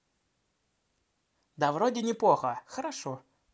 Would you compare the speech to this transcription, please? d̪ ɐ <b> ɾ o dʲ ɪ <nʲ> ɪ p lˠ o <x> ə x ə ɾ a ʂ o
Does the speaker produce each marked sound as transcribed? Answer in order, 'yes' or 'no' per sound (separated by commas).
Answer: no, yes, yes